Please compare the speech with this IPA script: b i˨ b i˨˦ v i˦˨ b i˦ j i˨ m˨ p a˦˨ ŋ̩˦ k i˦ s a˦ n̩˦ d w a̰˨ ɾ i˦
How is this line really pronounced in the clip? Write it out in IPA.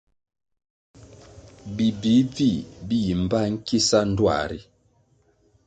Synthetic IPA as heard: b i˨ b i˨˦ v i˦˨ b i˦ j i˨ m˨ b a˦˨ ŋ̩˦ k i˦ s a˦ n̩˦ d w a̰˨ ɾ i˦